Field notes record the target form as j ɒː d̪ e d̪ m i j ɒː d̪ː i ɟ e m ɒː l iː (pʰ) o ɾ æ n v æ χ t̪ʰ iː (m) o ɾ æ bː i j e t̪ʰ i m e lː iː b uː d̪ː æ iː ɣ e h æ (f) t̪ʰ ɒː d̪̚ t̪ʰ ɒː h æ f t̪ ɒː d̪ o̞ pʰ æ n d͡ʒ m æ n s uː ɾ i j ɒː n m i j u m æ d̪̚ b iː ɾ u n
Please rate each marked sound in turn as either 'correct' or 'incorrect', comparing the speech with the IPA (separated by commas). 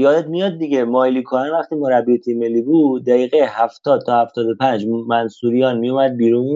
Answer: incorrect, correct, correct